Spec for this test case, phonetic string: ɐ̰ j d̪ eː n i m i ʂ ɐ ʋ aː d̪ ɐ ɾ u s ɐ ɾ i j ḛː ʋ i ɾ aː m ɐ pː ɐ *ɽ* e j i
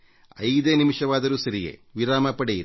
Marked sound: correct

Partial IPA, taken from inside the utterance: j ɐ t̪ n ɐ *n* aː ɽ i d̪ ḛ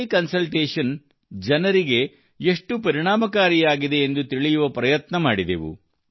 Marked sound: incorrect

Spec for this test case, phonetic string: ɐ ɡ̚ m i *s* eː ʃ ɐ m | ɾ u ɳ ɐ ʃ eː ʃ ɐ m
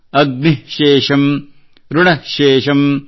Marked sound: incorrect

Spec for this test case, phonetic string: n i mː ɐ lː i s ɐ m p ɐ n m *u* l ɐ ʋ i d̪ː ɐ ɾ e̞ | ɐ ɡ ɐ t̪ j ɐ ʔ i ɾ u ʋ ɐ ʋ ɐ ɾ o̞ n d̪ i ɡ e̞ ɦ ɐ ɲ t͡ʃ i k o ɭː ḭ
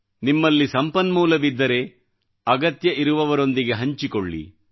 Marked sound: incorrect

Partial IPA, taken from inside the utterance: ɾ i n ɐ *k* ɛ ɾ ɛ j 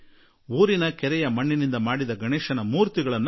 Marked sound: correct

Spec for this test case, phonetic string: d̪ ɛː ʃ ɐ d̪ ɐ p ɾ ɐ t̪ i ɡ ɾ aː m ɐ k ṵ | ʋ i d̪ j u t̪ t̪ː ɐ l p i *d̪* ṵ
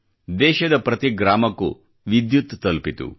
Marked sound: incorrect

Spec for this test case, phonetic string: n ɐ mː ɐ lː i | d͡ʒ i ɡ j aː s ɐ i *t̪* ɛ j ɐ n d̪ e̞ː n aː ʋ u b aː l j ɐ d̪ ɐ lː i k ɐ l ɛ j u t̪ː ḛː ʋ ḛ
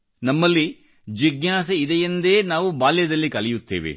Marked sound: incorrect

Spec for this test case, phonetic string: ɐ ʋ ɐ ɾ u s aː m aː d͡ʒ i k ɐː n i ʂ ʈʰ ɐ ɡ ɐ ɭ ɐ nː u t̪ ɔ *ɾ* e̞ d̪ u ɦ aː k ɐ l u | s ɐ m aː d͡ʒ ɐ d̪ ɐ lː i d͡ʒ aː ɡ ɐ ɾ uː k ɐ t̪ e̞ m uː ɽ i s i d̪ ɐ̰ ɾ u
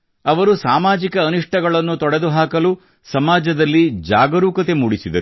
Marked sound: incorrect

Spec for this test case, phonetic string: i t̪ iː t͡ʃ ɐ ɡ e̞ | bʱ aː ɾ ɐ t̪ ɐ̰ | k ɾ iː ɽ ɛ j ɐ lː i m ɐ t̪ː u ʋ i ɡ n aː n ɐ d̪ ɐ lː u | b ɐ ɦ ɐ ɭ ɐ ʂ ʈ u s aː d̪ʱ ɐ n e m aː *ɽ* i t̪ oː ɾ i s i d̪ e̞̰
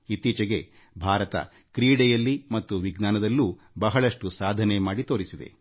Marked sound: correct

